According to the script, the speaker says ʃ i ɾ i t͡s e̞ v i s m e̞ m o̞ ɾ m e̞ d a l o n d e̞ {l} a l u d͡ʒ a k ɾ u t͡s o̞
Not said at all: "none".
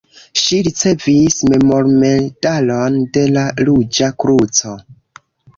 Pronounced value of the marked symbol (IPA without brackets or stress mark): l